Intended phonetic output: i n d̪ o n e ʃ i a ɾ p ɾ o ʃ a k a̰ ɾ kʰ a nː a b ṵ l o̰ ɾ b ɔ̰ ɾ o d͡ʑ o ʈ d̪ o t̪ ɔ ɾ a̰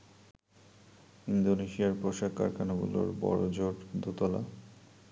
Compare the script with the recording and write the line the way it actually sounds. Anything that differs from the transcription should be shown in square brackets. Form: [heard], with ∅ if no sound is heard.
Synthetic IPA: i n d̪ o n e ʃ i a ɾ p ɾ o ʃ a k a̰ ɾ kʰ a [n] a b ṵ l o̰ ɾ b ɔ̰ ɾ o d͡ʑ o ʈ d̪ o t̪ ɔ [l] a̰